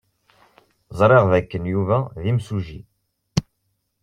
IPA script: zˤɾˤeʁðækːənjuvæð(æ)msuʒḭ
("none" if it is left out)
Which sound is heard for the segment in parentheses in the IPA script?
i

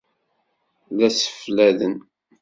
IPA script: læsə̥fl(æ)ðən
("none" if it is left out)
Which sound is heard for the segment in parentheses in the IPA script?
æ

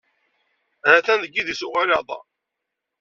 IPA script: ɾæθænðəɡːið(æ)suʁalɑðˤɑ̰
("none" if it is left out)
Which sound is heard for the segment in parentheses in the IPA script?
i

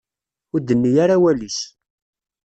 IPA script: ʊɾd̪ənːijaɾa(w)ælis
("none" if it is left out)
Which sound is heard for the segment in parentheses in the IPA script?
w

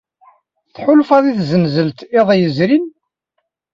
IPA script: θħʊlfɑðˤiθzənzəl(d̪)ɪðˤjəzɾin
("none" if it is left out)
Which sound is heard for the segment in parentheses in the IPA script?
t̪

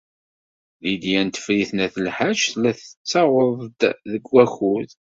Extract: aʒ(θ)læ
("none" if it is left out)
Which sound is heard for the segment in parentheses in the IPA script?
θ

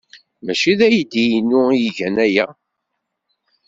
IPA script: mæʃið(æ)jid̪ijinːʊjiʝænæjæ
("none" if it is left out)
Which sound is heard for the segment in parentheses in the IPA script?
æ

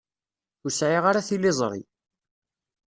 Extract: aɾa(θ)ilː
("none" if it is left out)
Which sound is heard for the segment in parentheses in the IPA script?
θ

